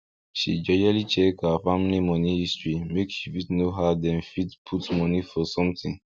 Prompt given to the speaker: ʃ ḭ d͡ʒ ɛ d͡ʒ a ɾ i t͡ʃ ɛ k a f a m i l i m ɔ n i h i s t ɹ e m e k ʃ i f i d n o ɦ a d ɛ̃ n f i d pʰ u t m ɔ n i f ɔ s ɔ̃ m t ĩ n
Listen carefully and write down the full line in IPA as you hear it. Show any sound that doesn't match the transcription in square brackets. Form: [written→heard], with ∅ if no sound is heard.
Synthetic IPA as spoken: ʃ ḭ d͡ʒ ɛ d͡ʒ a [ɾ→l] i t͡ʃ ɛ k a f a m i l i m ɔ n i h i s t ɹ [e→i] m e k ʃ i f i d n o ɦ a d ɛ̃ n f i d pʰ u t m ɔ n i f ɔ s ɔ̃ m t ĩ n